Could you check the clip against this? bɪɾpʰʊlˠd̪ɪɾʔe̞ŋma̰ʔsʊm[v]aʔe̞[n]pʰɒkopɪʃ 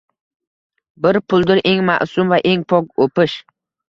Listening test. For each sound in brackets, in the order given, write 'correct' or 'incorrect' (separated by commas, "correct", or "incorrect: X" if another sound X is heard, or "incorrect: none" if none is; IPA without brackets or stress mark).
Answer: correct, incorrect: ŋ